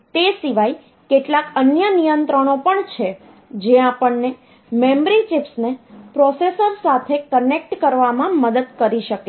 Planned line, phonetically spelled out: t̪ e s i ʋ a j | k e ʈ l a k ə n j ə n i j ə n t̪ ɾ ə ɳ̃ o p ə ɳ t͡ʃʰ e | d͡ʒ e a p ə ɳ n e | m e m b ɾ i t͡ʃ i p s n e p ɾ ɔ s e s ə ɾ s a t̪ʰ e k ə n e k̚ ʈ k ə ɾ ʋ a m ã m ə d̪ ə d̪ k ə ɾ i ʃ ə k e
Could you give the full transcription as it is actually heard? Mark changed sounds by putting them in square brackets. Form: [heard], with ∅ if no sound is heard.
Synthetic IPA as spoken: t̪ e s i ʋ a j | k e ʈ l a k ə n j ə n i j ə n t̪ ɾ ə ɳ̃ o p ə ɳ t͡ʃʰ e | d͡ʒ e a p ə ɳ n e | m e m b ɾ i t͡ʃ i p s n e p ɾ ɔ s e s ə ɾ s a t̪ʰ e k ə n e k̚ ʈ k ə ɾ ʋ a m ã m ə d̪ ə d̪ k ə ɾ i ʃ ə k e